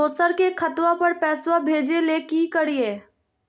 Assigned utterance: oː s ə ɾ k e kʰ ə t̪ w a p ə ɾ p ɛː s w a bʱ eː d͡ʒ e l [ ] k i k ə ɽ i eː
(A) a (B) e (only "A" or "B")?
B